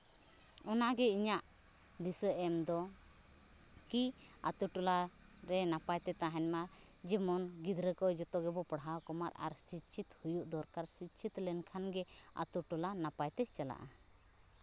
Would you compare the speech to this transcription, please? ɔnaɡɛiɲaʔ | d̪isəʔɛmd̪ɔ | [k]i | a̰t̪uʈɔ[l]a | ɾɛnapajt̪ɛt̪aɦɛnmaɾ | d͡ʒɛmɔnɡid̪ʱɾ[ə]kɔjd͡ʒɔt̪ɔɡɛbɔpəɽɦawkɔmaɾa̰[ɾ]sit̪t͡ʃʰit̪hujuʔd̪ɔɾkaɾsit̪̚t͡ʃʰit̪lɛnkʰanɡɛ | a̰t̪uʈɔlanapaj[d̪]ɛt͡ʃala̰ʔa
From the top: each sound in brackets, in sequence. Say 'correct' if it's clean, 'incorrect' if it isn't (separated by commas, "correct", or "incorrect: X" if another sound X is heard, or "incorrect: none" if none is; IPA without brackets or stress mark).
correct, correct, correct, correct, incorrect: t̪